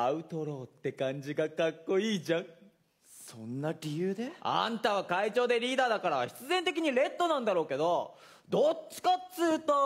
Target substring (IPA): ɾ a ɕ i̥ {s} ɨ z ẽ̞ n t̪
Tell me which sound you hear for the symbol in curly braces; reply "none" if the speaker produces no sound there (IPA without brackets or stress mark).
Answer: t͡s